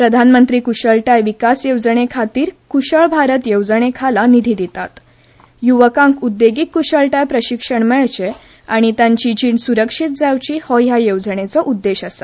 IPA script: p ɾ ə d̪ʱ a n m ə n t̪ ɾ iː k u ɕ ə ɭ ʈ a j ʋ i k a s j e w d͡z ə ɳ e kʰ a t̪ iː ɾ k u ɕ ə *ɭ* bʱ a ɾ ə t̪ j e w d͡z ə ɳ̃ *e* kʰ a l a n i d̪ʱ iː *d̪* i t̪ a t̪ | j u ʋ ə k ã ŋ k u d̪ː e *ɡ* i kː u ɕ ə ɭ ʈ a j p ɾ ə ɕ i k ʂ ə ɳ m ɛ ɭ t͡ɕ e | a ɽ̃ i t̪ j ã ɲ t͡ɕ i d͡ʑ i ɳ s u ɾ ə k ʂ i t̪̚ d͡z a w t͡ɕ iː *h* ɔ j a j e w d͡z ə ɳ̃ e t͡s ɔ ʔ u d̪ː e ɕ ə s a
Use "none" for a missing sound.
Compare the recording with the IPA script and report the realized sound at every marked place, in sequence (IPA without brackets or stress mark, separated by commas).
ɭ, e, d̪, ɡ, h